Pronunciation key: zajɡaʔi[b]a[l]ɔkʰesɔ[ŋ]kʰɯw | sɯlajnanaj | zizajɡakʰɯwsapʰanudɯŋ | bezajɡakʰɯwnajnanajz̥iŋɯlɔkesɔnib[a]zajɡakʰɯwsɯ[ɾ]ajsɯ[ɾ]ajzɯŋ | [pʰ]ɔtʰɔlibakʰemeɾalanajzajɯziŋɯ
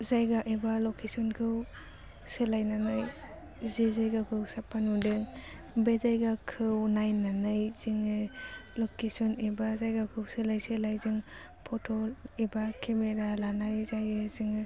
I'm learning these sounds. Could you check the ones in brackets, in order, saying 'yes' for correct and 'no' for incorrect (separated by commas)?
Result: yes, yes, no, yes, no, no, yes